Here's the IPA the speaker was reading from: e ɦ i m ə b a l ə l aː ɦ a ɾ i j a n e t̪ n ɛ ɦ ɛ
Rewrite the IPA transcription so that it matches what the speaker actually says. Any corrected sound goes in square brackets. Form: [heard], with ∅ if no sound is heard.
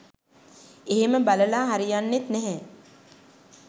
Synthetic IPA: e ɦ [e] m ə b a l ə l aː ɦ a ɾ i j a [nː] e t̪ n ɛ ɦ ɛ